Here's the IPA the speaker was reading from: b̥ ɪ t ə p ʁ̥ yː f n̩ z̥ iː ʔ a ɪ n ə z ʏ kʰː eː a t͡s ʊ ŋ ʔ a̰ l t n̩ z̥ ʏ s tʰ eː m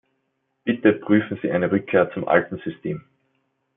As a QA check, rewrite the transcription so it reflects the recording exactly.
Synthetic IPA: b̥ ɪ t ə p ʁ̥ yː f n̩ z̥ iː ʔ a ɪ n ə ʁ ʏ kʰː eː ɐ t͡s ʊ m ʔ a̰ l t n̩ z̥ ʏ s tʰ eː m